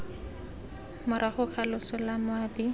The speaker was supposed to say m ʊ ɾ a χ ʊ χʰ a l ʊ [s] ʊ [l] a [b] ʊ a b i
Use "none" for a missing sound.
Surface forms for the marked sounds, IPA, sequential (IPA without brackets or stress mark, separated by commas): s, l, m